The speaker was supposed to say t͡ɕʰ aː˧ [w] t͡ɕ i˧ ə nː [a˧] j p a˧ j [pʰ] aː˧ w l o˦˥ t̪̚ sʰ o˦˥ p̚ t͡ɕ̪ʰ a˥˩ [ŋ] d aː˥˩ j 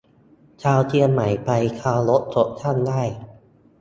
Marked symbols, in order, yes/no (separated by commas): yes, no, no, no